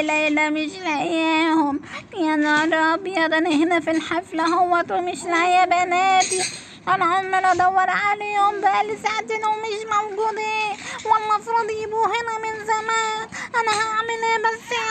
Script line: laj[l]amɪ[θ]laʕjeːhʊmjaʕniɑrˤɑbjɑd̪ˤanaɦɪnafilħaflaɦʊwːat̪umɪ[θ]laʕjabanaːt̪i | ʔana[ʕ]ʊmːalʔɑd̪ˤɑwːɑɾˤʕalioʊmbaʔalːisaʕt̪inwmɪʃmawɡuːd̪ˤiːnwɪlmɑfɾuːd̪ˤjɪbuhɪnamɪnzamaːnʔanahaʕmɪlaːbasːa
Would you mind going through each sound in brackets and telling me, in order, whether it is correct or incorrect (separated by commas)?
correct, incorrect, incorrect, correct